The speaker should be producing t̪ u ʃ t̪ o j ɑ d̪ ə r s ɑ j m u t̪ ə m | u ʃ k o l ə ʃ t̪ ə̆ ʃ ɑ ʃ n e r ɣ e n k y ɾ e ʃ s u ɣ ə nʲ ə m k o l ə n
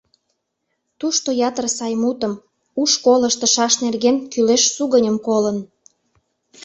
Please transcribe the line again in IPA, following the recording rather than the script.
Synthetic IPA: t̪ u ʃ t̪ o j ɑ t̪ ə r s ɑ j m u t̪ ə m | u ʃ k o l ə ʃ t̪ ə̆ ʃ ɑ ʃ n e r ɣ e n k y l e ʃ s u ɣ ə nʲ ə m k o l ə n